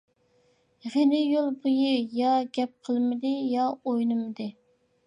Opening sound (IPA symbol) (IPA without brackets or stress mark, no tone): ʁ